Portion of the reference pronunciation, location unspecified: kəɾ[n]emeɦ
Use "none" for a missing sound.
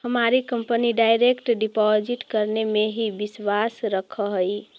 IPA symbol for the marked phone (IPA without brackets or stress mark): n